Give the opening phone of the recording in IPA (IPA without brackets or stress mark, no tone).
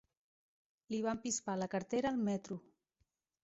l